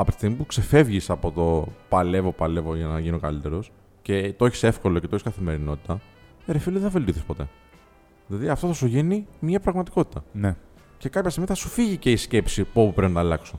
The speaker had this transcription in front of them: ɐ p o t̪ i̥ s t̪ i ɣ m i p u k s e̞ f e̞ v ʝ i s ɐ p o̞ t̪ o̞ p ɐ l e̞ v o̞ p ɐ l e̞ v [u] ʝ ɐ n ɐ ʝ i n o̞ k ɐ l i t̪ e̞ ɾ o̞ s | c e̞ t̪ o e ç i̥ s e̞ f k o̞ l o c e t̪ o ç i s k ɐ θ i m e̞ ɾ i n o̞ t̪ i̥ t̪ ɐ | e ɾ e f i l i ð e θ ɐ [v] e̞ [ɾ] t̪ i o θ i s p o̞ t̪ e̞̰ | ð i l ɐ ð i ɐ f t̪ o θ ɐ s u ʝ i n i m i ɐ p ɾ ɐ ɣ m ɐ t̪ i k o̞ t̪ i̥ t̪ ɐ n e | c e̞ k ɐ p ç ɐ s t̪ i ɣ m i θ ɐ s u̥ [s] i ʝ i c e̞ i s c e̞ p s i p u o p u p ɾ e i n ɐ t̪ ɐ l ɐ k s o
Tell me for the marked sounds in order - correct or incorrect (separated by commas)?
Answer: incorrect, correct, incorrect, incorrect